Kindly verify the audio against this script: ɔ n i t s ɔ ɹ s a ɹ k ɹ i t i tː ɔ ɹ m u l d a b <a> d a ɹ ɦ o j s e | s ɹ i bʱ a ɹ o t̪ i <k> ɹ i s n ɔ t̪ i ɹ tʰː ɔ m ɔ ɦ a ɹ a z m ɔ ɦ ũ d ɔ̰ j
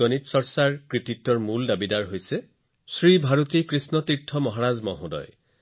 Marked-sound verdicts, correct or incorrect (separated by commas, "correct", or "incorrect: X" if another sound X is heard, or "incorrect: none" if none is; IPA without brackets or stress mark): incorrect: i, correct